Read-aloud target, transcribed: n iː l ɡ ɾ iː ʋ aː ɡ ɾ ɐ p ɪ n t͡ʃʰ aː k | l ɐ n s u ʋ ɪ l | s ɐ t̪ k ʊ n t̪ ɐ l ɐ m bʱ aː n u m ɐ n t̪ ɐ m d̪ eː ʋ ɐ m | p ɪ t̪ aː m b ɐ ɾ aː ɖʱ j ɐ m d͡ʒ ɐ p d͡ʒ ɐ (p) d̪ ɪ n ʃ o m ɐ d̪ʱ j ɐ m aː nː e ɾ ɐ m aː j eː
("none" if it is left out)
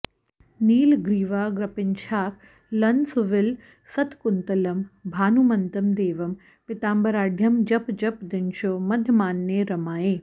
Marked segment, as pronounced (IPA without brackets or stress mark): p